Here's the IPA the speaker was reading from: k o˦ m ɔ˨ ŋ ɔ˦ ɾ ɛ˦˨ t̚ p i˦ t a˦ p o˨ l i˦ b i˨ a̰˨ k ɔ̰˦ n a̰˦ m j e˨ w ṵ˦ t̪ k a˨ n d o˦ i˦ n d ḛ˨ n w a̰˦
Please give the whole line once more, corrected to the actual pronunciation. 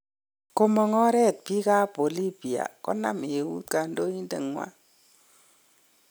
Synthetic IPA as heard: k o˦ m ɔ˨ ŋ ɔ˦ ɾ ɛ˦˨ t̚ p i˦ k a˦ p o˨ l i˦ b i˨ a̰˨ k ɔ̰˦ n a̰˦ m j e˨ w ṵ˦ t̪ k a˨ n d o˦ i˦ n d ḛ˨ ŋ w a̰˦